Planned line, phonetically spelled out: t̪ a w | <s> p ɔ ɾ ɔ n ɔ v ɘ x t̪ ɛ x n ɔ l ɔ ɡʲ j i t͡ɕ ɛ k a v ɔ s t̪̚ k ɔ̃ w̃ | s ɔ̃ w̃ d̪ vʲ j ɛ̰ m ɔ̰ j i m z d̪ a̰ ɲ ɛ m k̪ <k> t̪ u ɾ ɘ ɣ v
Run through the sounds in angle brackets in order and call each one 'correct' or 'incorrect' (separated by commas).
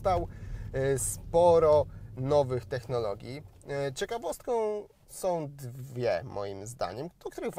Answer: correct, correct